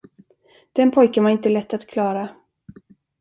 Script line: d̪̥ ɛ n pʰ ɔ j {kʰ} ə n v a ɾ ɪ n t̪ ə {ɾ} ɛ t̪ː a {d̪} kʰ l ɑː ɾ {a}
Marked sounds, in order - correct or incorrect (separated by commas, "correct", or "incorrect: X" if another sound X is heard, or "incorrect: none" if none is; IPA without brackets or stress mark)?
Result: incorrect: k, incorrect: l, incorrect: t̪, correct